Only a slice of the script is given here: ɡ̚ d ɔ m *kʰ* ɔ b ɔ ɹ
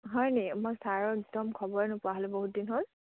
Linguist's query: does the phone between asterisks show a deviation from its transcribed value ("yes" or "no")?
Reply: no